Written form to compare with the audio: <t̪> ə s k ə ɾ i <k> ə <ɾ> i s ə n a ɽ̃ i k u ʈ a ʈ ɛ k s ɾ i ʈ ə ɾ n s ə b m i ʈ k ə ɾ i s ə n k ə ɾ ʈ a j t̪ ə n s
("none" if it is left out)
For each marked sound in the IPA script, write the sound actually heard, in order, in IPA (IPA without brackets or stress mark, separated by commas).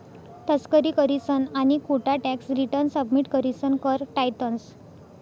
t̪, k, ɾ